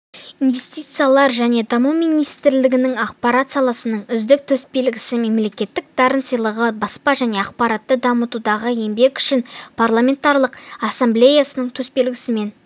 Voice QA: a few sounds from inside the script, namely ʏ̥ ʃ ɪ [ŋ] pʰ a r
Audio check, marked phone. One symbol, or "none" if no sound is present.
n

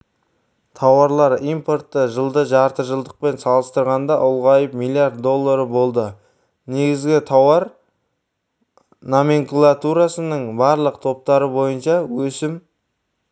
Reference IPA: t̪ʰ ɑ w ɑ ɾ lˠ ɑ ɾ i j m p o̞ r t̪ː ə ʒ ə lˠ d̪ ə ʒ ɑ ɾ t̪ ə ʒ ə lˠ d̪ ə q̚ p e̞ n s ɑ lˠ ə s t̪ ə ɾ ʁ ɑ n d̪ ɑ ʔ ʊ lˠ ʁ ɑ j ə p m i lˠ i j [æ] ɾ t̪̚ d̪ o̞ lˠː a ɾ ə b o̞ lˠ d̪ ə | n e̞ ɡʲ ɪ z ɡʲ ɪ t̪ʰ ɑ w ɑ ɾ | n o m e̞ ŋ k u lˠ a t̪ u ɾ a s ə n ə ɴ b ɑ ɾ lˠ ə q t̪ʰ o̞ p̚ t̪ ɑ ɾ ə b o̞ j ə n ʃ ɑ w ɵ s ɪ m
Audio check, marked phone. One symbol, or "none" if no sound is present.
a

